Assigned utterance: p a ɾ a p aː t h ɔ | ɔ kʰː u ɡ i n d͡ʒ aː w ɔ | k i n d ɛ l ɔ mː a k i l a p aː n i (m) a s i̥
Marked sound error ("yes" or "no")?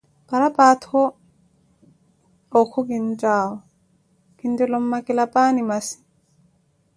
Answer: no